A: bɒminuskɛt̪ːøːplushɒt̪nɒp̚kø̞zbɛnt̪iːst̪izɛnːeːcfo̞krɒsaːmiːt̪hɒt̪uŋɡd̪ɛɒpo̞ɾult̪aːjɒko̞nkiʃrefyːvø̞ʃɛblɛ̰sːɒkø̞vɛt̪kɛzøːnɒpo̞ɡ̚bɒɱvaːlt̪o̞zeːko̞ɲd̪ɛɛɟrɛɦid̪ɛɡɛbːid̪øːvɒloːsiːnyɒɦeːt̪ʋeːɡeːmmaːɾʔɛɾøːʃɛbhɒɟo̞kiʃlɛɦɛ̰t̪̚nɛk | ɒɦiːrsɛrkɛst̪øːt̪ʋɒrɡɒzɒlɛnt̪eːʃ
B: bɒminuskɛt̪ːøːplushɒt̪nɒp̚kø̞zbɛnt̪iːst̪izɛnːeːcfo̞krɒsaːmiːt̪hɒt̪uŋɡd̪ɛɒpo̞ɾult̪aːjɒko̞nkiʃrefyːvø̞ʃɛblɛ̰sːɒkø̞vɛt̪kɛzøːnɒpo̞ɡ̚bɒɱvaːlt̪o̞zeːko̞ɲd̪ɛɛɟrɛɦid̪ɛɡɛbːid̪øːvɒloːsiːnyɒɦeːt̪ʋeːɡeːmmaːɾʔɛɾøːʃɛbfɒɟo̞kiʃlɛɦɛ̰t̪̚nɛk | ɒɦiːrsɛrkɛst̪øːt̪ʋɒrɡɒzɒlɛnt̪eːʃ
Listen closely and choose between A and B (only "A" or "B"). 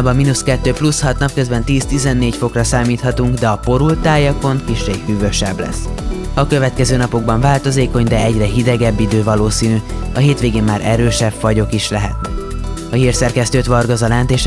B